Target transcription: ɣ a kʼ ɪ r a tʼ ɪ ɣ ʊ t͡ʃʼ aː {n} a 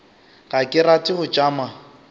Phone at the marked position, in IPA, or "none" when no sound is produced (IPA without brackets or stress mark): m